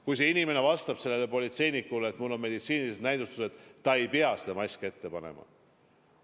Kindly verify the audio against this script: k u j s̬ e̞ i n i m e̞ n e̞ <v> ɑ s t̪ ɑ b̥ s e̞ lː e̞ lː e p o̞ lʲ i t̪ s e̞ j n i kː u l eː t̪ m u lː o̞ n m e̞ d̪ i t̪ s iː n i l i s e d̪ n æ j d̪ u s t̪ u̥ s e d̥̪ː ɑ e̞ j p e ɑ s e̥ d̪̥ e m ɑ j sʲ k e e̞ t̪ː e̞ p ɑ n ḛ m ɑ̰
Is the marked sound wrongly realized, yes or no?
no